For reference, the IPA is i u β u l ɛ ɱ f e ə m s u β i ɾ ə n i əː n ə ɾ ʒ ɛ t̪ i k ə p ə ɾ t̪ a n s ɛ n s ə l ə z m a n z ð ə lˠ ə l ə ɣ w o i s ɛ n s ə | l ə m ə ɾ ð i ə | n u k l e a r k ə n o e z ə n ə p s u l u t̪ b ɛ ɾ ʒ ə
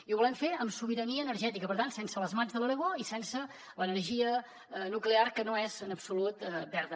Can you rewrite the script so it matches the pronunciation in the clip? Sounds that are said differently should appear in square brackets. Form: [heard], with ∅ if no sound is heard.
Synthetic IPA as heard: i u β u l ɛ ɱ f e ə m s u β i ɾ ə n i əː n ə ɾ ʒ ɛ t̪ i k ə p ə ɾ t̪ a n s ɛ n s ə l ə z m a n z ð ə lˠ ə l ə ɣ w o i s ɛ n s ə | l ə [n] ə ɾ [ʒ] i ə | n u k l e a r k ə n o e z ə n ə p s u l u t̪ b ɛ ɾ [ð] ə